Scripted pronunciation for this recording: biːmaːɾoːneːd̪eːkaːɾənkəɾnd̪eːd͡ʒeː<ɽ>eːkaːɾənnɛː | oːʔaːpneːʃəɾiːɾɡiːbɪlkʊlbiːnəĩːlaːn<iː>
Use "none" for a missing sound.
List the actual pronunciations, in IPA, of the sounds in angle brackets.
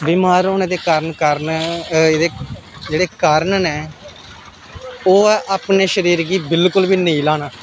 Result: ɽ, aː

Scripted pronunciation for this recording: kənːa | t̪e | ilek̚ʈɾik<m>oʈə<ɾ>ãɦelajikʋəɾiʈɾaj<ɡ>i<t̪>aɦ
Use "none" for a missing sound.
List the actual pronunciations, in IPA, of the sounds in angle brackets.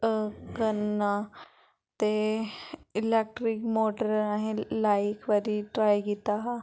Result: m, ɾ, ɡ, t̪

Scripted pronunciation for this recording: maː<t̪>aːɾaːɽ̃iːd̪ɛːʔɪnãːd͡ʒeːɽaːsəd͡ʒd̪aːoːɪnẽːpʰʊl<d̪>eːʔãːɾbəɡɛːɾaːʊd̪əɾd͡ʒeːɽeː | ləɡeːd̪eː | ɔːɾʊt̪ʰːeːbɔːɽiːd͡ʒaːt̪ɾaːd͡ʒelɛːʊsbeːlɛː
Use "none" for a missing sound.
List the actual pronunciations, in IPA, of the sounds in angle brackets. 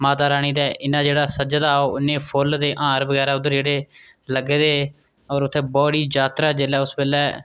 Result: t̪, d̪

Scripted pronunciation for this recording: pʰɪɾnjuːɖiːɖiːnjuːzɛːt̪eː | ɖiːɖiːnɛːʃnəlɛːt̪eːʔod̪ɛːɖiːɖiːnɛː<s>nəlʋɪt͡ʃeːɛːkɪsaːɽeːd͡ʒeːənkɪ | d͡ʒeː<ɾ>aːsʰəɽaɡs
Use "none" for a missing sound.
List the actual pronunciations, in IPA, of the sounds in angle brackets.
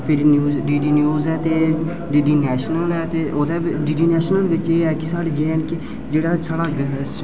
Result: ʃ, ɽ

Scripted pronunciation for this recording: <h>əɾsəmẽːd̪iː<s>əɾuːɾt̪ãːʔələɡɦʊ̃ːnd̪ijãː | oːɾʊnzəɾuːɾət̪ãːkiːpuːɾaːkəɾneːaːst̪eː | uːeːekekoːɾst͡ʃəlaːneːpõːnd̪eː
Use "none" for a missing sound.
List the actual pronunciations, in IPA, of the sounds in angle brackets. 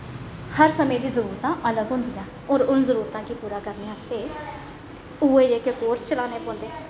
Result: h, z

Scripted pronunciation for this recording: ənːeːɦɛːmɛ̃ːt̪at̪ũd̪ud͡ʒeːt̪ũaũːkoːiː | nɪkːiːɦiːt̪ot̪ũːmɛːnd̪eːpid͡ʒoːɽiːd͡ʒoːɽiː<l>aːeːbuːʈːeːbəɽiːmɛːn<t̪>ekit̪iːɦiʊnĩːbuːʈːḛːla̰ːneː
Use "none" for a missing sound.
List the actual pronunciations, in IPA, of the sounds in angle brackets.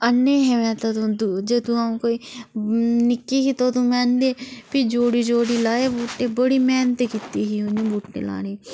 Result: l, t̪

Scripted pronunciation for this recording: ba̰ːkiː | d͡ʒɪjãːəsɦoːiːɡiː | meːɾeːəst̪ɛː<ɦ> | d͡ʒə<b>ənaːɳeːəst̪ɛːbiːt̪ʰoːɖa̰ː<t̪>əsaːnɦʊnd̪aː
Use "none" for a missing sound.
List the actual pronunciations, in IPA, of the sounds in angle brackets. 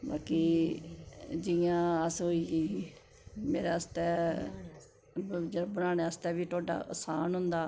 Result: none, b, none

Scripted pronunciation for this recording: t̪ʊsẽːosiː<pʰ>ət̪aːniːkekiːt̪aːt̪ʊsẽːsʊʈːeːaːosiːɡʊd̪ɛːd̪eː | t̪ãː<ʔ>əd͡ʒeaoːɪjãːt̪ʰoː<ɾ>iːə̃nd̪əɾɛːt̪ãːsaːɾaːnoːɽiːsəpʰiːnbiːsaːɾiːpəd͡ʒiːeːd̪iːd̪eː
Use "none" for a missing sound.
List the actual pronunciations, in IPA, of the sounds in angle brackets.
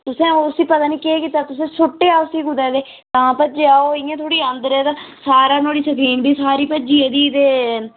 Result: p, p, ɽ

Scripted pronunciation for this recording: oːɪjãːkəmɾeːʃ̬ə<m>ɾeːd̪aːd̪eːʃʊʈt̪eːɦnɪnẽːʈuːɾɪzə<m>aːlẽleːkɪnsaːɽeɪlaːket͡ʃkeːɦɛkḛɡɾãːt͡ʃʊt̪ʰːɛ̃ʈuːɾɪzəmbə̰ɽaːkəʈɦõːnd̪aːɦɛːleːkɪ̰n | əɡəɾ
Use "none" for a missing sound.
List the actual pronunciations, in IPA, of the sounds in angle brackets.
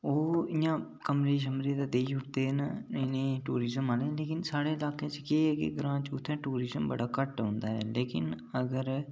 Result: m, m

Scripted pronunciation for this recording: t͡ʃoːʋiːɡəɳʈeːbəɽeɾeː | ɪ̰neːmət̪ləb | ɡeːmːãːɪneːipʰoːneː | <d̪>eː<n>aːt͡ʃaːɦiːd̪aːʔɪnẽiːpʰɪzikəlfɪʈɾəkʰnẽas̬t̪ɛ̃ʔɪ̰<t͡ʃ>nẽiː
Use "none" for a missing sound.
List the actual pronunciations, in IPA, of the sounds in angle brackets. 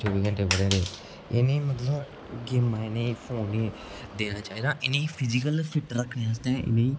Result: d̪, n, none

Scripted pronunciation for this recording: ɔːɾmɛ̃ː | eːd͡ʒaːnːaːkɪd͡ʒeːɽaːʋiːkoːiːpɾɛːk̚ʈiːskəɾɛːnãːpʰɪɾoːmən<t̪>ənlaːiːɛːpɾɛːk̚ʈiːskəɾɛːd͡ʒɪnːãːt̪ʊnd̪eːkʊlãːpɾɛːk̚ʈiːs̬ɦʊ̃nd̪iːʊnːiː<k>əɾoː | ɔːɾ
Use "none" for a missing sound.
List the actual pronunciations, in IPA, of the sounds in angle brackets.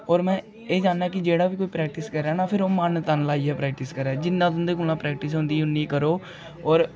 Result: t̪, k

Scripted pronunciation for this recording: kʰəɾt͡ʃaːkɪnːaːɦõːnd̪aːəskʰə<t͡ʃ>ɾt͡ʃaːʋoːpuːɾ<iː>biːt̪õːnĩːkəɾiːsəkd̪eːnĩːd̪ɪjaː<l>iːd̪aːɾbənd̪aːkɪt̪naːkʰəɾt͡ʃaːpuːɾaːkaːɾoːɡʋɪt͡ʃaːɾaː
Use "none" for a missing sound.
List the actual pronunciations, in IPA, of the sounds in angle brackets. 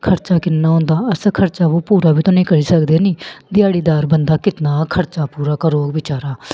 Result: none, aː, ɽ

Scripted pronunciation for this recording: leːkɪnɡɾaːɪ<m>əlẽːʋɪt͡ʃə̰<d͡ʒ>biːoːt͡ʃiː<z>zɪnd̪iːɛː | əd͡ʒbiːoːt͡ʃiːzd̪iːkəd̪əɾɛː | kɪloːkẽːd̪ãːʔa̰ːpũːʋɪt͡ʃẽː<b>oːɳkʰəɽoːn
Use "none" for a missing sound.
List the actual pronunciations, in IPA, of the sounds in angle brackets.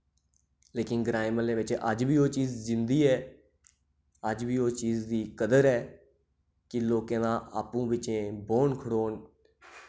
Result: m, d͡ʒ, z, b

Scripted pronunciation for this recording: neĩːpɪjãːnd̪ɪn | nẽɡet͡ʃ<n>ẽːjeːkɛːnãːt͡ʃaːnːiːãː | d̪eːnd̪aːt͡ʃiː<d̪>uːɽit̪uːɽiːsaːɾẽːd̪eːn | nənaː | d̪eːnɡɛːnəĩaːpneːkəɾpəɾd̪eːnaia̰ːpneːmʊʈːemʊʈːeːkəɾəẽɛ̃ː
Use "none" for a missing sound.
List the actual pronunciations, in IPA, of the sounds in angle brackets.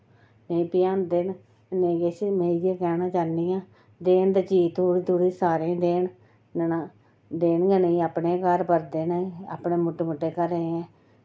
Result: m, t̪

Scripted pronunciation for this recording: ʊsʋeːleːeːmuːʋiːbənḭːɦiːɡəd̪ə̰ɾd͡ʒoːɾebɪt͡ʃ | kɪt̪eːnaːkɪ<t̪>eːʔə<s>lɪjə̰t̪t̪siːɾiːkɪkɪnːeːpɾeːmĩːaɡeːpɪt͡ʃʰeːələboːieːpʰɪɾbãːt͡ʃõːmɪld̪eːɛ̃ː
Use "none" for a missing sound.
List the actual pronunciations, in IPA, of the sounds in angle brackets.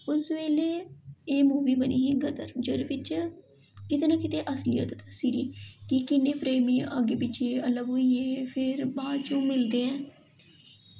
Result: t̪, s

